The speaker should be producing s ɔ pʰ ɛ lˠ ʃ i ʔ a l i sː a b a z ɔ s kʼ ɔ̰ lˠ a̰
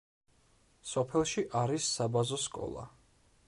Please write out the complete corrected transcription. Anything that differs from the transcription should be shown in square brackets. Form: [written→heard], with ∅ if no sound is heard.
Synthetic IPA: s ɔ pʰ ɛ lˠ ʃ i ʔ a [l→ɾ] i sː a b a z ɔ s kʼ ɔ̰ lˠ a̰